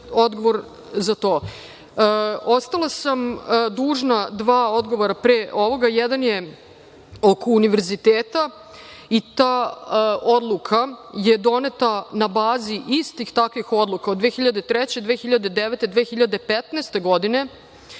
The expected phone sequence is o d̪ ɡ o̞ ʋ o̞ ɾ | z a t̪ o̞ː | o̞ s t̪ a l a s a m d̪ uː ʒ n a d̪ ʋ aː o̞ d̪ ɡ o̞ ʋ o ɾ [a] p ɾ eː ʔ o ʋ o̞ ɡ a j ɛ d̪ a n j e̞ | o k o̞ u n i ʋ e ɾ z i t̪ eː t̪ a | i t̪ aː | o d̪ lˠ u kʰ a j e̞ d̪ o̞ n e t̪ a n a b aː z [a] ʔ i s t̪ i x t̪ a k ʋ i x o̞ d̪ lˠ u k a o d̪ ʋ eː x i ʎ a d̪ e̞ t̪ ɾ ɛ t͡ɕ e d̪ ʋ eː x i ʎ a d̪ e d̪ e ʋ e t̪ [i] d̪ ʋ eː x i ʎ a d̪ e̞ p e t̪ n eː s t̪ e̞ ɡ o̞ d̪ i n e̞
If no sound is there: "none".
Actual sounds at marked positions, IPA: a, i, e

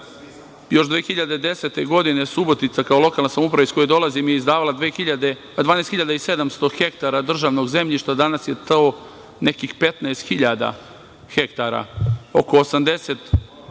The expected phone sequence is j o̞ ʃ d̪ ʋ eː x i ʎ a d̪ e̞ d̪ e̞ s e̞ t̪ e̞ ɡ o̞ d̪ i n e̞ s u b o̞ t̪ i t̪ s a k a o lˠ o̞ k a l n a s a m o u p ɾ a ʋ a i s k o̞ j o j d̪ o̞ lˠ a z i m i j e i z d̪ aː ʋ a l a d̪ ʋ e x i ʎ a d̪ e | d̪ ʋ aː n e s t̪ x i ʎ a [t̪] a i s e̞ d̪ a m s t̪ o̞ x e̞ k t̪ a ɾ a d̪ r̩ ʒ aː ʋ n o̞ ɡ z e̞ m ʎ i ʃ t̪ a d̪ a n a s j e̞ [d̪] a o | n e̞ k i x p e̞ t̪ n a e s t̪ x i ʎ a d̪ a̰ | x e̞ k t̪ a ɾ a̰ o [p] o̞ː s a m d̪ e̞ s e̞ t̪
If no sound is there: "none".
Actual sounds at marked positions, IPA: d̪, t̪, k

